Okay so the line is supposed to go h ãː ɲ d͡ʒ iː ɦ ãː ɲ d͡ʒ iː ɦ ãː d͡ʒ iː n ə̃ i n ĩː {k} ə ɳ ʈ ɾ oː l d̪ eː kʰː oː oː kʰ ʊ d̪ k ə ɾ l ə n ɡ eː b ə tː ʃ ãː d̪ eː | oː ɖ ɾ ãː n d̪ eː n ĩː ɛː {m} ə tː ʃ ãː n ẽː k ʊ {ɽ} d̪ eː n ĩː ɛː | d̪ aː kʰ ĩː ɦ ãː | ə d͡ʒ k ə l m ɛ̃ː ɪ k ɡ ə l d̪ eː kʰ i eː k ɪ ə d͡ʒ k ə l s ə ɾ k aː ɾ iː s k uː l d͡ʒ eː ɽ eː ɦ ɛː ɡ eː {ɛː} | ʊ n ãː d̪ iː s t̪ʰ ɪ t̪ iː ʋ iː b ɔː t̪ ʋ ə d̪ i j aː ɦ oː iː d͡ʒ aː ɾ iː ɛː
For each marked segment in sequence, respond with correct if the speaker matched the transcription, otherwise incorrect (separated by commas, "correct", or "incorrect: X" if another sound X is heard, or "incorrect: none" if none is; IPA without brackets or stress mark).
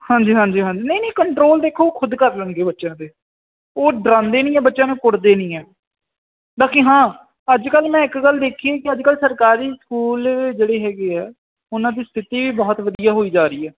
correct, incorrect: b, correct, correct